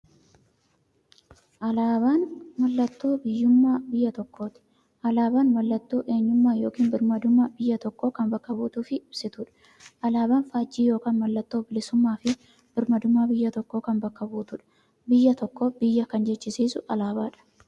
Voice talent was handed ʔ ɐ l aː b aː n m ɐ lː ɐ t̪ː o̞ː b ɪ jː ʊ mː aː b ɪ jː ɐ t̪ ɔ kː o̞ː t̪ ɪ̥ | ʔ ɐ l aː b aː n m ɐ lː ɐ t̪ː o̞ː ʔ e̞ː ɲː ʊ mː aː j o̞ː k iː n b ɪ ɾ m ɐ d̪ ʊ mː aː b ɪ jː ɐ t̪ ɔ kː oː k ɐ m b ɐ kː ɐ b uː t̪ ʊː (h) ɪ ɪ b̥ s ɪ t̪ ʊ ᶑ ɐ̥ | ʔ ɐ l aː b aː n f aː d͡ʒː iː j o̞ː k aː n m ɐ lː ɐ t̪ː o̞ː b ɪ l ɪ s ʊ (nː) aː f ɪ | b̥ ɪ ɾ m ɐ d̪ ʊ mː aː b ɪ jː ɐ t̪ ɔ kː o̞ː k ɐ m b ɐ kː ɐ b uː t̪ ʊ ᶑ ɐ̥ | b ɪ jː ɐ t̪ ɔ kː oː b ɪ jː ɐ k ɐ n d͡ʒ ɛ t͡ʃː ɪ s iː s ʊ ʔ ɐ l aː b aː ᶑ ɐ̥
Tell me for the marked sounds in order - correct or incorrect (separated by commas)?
incorrect, incorrect